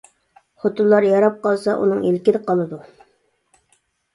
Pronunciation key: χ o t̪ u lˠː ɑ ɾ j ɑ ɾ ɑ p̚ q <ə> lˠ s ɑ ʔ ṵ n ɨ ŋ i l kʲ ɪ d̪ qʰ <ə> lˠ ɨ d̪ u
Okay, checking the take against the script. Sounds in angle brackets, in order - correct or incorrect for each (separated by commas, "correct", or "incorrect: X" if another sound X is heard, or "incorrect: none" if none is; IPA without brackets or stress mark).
incorrect: ɑ, incorrect: ɑ